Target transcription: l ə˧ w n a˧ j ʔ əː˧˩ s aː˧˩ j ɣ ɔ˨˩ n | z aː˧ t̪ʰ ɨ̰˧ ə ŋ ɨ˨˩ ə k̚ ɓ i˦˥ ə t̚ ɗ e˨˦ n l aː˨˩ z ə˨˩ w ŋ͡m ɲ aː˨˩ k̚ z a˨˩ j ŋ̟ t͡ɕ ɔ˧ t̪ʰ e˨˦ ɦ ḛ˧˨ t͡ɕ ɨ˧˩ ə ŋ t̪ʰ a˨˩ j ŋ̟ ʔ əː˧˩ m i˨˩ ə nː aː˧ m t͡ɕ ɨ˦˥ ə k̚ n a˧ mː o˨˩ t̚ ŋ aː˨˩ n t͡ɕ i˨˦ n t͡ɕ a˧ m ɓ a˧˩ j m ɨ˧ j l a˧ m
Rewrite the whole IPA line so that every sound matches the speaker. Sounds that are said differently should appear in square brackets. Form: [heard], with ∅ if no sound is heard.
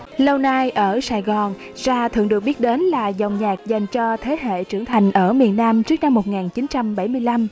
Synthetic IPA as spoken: l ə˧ w n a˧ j ʔ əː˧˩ s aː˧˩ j ɣ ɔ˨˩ n | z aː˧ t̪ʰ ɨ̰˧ ə ŋ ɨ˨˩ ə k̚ ɓ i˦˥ ə t̚ ɗ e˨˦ n l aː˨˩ z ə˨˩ w ŋ͡m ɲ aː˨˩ k̚ z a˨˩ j ŋ̟ t͡ɕ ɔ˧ t̪ʰ e˨˦ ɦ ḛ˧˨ t͡ɕ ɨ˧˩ ə ŋ t̪ʰ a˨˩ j ŋ̟ ʔ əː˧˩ m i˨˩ ə nː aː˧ m t͡ɕ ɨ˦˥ ə k̚ n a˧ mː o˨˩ t̚ ŋ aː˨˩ n t͡ɕ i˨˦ n t͡ɕ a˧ m ɓ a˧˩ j m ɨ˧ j l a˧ m